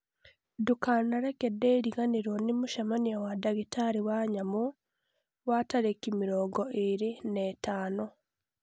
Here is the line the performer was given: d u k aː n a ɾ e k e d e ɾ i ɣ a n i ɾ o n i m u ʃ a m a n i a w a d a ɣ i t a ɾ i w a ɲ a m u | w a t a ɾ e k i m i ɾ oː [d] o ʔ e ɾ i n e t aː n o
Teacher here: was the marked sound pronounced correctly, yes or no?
no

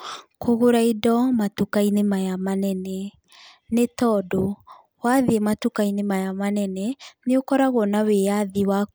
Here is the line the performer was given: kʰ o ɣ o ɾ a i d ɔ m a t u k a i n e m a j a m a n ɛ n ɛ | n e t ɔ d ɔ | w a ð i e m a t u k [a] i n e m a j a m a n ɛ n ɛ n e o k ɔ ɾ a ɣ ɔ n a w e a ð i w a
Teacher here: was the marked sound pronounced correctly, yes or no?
yes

